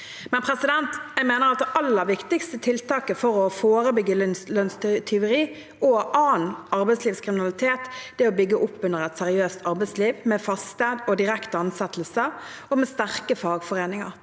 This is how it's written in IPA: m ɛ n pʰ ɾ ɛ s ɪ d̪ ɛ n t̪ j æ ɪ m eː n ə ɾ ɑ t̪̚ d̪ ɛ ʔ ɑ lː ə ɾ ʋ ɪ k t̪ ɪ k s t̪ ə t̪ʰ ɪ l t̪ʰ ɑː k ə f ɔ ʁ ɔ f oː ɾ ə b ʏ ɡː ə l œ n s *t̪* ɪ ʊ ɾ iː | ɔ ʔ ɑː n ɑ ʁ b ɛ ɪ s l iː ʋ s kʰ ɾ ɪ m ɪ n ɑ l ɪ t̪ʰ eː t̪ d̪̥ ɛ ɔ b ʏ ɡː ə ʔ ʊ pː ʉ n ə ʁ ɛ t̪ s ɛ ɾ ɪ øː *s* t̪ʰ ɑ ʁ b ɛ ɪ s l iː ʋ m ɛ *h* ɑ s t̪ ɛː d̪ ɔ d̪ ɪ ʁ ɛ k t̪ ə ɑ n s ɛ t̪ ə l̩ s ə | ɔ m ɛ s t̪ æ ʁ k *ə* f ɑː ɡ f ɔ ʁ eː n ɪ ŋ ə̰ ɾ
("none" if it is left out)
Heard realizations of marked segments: t̪ʰ, s, f, ə

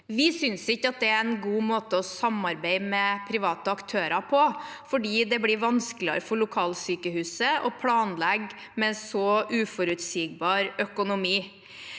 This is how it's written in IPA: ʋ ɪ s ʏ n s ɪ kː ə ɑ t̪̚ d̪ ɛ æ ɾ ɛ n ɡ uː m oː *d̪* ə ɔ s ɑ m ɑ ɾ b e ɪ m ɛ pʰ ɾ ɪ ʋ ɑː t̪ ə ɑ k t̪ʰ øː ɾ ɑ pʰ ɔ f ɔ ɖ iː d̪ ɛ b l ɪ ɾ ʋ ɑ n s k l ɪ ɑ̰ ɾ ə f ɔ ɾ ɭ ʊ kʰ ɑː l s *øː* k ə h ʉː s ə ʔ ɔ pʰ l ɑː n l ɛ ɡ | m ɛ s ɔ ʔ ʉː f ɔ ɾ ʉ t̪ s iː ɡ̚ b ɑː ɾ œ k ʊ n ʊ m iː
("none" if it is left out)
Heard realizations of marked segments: t̪, yː

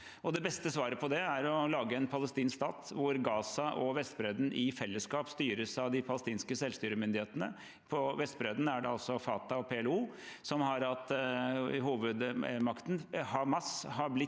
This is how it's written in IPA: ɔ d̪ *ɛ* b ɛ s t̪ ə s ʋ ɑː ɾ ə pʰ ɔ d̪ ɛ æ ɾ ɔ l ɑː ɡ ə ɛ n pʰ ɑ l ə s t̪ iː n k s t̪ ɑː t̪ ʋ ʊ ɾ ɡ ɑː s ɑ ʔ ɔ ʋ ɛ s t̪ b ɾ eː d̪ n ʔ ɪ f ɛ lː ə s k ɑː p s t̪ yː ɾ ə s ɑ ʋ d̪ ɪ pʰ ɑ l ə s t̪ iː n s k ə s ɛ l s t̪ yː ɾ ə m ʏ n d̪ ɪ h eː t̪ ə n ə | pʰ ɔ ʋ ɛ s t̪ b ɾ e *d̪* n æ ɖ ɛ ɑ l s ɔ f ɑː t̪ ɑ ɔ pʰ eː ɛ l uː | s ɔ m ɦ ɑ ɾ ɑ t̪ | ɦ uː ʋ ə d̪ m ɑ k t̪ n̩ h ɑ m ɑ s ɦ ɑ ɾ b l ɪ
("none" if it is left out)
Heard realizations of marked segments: ɛ, d̪

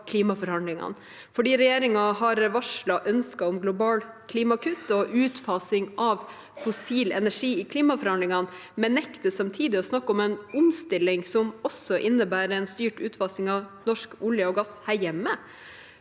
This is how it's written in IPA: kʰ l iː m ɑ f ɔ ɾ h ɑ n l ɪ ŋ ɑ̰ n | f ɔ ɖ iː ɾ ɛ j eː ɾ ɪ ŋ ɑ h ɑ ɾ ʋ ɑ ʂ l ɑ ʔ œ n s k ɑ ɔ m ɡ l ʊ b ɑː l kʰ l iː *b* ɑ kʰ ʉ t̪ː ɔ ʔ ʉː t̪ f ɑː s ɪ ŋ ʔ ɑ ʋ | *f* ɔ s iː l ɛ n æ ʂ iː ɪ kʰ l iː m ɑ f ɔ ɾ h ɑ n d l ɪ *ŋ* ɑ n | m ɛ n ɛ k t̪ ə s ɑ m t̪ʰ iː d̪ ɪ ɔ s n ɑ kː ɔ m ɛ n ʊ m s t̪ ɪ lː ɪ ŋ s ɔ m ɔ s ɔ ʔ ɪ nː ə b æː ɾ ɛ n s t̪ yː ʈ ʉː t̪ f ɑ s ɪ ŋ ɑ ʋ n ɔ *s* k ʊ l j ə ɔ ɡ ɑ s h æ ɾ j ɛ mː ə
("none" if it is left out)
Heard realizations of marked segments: m, f, ŋ, ʂ

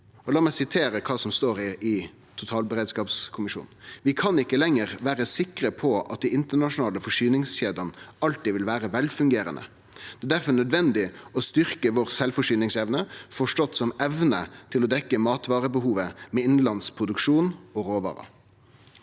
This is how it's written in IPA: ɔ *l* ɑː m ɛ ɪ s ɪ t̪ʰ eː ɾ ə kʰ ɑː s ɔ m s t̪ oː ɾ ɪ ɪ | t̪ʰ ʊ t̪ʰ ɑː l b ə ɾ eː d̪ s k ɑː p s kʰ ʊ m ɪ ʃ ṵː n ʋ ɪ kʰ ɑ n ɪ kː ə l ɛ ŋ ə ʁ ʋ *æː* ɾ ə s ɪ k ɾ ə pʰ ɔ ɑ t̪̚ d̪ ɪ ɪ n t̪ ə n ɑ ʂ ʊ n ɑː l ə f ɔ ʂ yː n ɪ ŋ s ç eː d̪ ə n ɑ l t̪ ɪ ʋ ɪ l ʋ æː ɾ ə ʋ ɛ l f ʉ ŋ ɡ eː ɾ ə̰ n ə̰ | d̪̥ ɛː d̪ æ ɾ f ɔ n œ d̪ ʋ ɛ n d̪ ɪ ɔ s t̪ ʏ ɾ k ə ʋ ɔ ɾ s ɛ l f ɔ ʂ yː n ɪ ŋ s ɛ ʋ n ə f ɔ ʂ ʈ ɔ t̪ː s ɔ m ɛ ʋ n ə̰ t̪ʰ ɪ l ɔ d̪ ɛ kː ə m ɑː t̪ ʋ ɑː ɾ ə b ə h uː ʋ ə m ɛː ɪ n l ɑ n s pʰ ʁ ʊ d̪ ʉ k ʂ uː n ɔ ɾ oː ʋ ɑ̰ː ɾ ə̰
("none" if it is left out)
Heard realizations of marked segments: l, æː

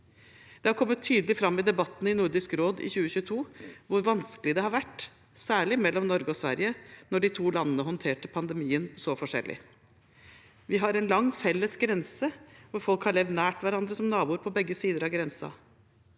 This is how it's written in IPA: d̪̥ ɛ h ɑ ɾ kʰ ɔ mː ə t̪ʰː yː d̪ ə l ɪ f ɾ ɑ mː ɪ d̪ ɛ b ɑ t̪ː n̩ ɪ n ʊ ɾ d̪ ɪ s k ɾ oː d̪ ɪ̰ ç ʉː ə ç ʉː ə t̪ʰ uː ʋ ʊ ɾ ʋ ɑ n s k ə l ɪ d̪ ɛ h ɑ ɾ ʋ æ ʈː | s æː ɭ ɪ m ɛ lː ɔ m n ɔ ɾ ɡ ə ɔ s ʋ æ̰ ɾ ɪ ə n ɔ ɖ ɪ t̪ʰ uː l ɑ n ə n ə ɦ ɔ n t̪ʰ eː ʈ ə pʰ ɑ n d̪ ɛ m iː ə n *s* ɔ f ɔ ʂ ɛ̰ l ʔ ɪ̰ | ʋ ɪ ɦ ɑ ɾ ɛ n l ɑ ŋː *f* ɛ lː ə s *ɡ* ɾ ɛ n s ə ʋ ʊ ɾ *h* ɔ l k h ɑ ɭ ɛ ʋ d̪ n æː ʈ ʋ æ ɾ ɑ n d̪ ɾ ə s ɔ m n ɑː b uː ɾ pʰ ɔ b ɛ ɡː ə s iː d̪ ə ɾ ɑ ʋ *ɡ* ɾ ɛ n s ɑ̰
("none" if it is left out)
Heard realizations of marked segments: s, f, ɡ, f, ɡ

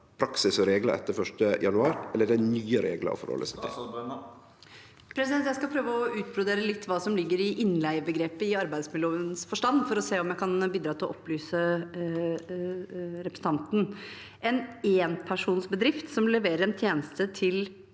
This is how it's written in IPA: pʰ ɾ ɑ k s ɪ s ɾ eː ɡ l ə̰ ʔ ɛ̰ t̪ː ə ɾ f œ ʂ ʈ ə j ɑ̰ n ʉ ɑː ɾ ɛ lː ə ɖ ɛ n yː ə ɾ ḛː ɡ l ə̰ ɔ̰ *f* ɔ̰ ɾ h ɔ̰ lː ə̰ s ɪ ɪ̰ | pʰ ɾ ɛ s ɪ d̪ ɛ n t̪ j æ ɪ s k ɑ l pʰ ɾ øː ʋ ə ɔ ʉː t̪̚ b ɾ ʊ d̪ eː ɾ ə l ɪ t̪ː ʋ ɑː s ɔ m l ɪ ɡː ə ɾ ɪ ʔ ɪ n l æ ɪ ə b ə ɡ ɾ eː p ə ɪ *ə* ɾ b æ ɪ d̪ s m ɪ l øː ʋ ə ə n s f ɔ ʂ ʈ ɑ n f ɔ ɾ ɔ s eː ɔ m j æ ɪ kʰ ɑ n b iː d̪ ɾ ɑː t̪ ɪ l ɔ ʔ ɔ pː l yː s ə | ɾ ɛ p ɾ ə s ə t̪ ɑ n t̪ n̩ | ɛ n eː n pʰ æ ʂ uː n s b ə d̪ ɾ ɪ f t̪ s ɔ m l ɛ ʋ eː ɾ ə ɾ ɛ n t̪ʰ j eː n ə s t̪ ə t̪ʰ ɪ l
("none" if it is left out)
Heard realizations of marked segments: f, ɑ

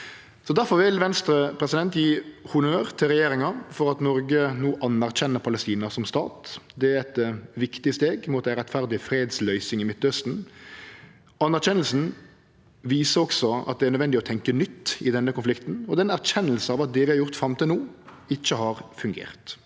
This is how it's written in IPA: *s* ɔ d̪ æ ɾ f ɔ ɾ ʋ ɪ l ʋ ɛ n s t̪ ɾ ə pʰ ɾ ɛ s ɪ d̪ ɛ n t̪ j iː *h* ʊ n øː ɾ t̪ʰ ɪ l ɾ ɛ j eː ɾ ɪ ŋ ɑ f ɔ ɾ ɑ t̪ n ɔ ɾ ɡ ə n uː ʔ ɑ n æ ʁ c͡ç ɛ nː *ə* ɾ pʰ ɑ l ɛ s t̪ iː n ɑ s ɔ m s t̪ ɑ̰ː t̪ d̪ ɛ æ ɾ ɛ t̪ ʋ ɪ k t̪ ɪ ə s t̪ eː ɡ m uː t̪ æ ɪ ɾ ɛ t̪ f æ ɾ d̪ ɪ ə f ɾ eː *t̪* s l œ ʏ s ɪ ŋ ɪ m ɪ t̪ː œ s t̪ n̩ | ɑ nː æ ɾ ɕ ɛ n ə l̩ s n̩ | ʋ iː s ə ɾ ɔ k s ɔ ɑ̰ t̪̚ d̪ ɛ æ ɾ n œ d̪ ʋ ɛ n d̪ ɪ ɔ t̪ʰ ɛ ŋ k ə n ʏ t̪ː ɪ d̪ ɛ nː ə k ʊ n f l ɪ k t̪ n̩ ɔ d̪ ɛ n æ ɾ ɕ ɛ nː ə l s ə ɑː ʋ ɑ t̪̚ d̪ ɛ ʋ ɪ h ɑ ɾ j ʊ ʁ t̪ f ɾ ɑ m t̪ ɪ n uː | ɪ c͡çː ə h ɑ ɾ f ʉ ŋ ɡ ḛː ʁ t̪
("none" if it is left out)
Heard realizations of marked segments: s, h, ə, d̪

